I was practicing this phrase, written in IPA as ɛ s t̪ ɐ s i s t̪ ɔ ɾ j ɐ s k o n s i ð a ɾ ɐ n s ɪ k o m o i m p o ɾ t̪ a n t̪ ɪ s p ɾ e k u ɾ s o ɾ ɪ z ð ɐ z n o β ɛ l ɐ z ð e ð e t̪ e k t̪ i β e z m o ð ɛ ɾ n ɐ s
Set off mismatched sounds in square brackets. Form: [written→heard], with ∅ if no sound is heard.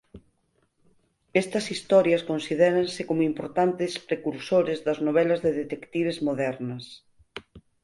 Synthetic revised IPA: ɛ s t̪ ɐ s i s t̪ ɔ ɾ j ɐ s k o n s i ð [a→ɛ] ɾ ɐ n s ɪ k o m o i m p o ɾ t̪ a n t̪ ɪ s p ɾ e k u ɾ s o ɾ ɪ z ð ɐ z n o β ɛ l ɐ z ð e ð e t̪ e k t̪ i β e z m o ð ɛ ɾ n ɐ s